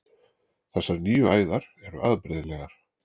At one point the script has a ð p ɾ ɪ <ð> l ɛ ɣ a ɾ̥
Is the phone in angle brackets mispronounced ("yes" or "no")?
no